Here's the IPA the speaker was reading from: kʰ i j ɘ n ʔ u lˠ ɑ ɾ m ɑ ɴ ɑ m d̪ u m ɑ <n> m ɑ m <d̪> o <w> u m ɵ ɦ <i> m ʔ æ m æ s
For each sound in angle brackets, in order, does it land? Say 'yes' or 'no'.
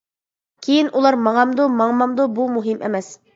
no, yes, no, yes

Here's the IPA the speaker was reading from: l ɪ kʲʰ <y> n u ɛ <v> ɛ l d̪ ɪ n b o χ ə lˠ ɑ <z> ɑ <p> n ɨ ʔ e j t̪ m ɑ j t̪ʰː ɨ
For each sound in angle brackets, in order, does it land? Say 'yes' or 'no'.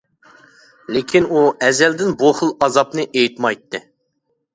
no, no, yes, yes

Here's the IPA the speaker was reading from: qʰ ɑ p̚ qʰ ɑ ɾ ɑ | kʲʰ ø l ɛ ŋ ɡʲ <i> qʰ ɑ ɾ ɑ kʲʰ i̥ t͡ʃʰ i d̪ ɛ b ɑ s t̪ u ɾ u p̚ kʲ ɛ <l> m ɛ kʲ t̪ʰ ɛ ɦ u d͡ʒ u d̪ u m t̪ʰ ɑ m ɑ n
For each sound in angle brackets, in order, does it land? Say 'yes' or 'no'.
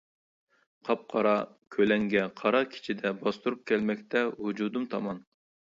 no, yes

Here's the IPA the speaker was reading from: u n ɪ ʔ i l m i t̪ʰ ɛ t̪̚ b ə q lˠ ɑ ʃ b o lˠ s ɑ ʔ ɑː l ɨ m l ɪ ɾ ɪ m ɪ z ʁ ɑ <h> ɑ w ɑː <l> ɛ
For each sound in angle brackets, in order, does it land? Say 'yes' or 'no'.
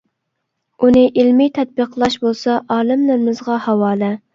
yes, yes

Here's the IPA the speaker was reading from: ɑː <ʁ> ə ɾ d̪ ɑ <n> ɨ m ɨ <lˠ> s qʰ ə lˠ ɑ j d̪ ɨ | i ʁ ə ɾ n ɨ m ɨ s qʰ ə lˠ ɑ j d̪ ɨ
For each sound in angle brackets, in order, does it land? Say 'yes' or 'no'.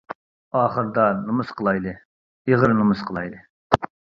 no, yes, no

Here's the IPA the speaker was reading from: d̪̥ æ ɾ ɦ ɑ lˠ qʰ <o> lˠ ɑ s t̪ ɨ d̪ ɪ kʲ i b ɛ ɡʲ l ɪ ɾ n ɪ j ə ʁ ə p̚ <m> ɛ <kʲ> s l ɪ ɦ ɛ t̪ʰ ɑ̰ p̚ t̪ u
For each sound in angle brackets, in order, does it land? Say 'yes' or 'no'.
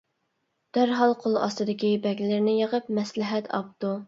yes, yes, no

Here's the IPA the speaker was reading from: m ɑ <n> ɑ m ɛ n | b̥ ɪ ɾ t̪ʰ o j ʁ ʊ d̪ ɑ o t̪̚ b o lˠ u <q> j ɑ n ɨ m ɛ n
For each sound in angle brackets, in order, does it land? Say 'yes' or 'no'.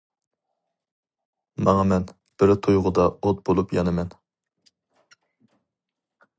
no, no

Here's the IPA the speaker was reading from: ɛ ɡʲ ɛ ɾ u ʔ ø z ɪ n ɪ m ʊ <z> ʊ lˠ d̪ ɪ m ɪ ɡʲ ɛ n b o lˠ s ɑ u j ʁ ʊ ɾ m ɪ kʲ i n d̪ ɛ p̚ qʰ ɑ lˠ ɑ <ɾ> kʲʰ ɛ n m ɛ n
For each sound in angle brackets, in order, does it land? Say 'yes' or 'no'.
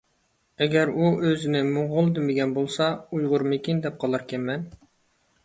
no, yes

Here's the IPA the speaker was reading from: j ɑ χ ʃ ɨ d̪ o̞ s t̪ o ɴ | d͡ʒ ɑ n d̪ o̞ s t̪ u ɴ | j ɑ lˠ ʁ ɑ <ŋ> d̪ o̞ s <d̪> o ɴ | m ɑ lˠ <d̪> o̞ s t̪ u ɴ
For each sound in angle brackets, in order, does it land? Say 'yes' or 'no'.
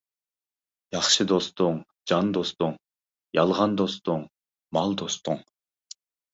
no, no, yes

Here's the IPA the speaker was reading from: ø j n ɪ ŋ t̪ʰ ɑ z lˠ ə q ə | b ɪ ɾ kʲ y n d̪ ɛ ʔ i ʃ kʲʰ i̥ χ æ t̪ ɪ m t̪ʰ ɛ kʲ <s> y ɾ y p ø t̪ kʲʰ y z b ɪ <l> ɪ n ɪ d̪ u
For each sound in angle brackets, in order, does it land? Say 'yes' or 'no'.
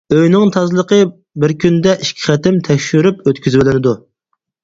no, yes

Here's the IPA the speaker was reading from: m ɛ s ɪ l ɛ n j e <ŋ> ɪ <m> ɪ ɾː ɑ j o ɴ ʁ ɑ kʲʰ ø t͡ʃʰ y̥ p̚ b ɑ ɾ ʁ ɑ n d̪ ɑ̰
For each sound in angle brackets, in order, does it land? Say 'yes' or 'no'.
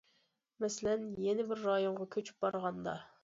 no, no

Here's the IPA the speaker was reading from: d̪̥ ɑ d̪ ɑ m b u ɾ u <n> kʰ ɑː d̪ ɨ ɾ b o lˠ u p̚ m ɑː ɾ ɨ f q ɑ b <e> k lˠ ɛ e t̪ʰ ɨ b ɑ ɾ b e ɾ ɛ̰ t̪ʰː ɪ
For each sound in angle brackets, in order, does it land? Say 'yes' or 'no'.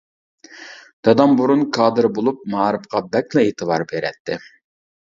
yes, no

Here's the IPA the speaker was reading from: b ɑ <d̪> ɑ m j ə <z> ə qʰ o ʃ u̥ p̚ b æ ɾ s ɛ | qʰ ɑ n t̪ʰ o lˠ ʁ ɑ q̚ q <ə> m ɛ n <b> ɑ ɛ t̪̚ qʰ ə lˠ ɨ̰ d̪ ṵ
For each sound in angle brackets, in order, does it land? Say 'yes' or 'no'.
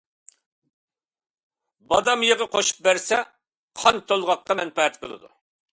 yes, no, no, no

